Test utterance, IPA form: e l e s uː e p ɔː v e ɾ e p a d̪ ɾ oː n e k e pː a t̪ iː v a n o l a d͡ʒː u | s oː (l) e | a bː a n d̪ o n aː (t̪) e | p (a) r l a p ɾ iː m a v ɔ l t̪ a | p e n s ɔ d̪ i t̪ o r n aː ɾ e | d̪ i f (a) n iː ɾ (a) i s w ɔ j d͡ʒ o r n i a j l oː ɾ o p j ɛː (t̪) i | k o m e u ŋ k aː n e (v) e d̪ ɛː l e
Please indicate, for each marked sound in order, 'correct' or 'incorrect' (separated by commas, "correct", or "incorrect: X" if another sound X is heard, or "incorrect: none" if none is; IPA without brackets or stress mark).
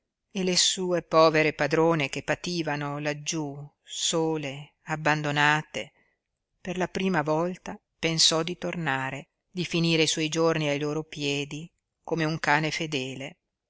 correct, correct, incorrect: e, incorrect: i, incorrect: e, incorrect: d̪, incorrect: f